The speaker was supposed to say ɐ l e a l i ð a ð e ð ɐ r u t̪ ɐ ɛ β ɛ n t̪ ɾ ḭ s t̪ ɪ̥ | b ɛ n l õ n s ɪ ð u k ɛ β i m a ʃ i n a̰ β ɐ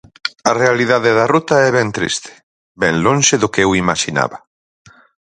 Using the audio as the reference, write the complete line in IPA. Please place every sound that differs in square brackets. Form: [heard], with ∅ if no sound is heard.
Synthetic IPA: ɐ [r] e a l i ð a ð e ð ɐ r u t̪ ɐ ɛ β ɛ n t̪ ɾ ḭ s t̪ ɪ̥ | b ɛ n l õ n [ʃ] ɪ ð [ʊ] k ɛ [w] i m a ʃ i n a̰ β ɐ